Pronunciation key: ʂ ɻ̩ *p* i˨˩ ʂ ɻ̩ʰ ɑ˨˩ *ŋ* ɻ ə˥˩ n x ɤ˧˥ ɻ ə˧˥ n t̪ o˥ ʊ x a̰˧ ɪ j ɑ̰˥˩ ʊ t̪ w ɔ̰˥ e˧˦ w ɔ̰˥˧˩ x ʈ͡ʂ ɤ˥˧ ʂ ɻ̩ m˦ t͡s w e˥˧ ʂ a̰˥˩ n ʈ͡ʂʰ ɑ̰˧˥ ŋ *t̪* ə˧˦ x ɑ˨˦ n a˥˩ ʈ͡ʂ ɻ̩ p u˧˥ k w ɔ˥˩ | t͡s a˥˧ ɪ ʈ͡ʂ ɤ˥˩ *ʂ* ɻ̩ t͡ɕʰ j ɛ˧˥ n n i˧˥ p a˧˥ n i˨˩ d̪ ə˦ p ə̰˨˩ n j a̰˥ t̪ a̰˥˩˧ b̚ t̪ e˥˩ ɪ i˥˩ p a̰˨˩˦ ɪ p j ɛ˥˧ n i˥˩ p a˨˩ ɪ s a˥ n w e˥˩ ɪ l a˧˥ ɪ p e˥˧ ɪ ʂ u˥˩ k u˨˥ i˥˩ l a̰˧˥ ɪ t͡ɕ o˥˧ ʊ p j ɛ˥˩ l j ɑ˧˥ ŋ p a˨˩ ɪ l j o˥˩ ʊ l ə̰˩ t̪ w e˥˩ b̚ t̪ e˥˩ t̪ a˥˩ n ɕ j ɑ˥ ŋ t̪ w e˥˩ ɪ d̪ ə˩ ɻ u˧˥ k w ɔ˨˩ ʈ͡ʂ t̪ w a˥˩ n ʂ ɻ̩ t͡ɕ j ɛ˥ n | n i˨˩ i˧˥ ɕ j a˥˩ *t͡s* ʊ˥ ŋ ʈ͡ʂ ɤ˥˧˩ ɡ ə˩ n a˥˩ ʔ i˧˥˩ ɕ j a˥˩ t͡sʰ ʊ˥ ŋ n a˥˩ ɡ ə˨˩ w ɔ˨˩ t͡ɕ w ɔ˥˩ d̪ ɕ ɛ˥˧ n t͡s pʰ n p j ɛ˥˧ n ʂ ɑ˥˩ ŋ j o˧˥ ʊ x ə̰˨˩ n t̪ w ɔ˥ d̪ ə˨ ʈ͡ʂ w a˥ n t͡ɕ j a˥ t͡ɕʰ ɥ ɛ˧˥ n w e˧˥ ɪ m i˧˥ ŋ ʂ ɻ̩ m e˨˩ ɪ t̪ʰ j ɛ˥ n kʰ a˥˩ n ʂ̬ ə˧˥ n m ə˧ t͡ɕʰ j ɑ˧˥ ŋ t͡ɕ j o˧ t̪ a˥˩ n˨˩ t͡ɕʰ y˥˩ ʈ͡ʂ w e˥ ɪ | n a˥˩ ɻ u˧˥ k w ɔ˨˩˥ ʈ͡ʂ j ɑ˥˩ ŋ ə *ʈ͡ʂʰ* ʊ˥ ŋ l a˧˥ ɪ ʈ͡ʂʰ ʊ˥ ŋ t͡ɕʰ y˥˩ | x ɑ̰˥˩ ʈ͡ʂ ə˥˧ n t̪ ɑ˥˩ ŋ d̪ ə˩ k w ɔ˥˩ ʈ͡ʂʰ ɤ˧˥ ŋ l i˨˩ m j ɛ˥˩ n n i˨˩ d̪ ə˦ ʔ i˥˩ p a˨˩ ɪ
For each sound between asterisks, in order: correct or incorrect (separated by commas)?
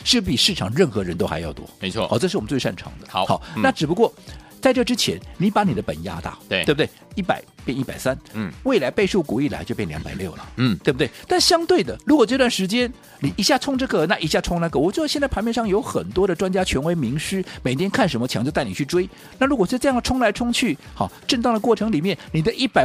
correct, correct, incorrect, incorrect, incorrect, correct